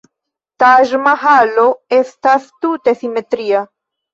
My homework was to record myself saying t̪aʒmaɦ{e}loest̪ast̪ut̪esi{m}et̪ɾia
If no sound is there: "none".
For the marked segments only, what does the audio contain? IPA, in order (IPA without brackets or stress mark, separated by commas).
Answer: a, m